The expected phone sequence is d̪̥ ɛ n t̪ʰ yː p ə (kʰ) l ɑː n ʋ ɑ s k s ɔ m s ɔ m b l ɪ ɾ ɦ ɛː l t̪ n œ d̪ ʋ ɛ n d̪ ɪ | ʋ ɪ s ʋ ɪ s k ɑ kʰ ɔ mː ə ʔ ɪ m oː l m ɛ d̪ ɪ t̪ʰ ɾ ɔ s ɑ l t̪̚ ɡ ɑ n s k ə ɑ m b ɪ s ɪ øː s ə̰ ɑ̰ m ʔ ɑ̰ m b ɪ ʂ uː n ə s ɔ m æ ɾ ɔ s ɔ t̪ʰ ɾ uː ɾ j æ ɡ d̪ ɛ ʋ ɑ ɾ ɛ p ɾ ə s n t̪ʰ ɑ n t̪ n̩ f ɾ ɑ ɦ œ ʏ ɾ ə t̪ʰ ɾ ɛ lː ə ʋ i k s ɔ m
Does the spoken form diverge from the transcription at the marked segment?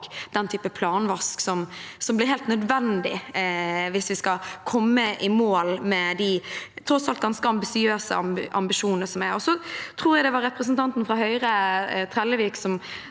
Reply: yes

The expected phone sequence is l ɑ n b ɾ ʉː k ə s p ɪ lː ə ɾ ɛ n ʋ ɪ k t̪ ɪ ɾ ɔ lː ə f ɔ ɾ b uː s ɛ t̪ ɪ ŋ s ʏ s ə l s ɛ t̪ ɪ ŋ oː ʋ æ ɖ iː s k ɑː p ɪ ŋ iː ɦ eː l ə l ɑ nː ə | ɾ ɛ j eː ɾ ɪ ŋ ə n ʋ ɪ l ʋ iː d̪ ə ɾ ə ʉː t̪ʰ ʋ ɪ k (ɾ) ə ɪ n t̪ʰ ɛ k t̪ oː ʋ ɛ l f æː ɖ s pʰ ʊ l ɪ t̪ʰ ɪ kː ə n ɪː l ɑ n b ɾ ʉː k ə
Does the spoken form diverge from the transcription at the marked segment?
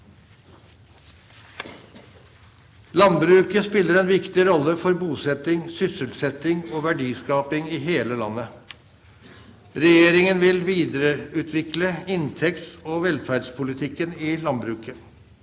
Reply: yes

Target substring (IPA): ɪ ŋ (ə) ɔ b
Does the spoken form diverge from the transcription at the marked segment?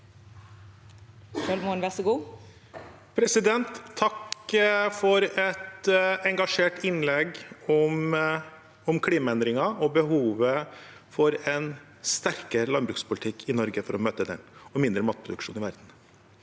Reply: yes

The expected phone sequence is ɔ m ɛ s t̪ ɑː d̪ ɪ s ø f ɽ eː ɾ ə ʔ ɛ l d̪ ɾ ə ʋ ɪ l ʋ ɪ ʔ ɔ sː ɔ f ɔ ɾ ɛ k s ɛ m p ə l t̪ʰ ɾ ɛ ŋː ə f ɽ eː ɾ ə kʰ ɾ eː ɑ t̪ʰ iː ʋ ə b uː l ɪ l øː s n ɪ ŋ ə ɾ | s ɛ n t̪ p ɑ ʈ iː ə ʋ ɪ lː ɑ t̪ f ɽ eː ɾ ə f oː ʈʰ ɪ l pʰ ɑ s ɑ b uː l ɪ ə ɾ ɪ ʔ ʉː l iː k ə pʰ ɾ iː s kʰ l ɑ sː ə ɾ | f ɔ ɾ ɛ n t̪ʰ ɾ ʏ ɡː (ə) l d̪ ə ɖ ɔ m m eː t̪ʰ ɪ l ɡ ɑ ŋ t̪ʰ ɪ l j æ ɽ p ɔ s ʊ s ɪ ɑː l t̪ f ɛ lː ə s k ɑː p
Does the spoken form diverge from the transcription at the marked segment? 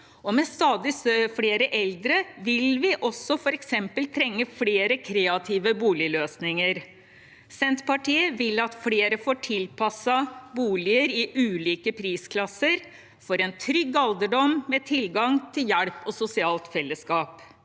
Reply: yes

